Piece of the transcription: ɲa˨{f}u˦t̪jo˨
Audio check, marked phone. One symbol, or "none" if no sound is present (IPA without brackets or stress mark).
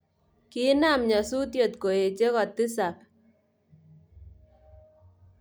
s